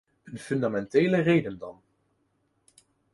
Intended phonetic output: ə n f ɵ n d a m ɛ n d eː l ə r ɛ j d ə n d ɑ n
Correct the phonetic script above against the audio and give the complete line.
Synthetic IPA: ə n f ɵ n d a m ɛ n t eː l ə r e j d ə n d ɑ n